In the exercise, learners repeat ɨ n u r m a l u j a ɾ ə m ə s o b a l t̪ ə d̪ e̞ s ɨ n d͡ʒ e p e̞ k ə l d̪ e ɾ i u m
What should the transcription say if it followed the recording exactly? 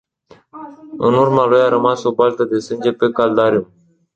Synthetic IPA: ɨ n u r m a l u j a ɾ ə m a s o b a l t̪ ə d̪ e̞ s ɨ n d͡ʒ e p e̞ k a l d̪ a ɾ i u m